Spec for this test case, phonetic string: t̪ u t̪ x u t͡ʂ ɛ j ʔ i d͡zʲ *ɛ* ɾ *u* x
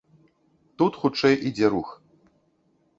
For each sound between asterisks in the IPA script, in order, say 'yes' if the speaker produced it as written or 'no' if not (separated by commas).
yes, yes